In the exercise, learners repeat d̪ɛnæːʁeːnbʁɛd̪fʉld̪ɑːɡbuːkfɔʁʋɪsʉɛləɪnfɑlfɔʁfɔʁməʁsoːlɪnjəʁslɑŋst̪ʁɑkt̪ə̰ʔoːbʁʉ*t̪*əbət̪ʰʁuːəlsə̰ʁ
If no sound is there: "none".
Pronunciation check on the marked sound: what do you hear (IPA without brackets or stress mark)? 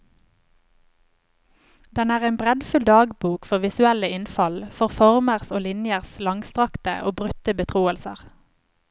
t̪